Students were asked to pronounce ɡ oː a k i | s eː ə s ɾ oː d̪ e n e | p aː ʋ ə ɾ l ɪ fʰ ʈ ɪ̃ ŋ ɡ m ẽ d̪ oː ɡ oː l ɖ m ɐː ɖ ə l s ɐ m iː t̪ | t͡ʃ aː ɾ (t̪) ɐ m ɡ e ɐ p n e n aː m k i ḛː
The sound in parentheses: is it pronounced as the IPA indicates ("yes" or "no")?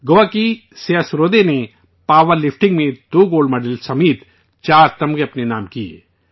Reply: yes